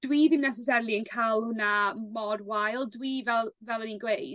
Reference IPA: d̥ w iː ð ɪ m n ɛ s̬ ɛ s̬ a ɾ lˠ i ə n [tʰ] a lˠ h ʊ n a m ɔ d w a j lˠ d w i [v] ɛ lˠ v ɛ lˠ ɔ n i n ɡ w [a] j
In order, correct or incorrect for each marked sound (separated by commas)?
incorrect, correct, incorrect